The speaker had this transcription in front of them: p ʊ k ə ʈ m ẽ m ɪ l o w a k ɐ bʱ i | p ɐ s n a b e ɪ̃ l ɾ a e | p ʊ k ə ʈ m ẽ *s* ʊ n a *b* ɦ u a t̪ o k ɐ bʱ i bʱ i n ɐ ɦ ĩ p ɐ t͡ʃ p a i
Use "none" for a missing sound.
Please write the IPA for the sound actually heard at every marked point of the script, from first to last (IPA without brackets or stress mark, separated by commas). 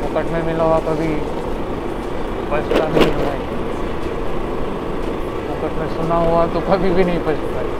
s, none